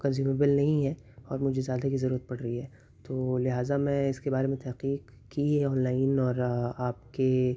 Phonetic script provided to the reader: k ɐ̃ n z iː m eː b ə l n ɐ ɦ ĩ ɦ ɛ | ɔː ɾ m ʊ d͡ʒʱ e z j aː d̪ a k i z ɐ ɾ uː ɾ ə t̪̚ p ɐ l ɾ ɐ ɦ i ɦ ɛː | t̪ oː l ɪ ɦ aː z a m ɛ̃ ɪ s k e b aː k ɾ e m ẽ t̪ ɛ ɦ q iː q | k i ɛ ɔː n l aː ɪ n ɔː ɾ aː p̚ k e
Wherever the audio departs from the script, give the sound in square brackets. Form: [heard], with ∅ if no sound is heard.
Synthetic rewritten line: k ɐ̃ n z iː m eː b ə l n ɐ ɦ ĩ ɦ ɛ | ɔː ɾ m ʊ d͡ʒʱ e z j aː d̪ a k i z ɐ ɾ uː ɾ ə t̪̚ p ɐ [ɽ] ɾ ɐ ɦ i ɦ ɛː | t̪ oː l ɪ ɦ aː z a m ɛ̃ ɪ s k e b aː [∅] ɾ e m ẽ t̪ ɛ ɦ q iː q | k i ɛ ɔː n l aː ɪ n ɔː ɾ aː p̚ k e